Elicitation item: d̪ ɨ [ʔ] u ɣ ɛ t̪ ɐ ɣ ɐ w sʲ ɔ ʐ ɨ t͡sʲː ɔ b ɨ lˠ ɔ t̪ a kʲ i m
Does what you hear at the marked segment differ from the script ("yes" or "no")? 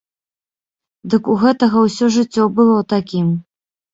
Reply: yes